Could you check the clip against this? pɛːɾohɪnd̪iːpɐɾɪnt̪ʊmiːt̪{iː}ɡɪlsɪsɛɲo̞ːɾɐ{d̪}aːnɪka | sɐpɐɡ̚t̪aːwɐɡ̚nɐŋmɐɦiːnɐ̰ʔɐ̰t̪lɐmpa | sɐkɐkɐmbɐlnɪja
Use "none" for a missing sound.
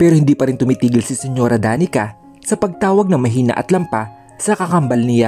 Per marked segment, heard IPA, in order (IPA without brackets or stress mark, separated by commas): iː, d̪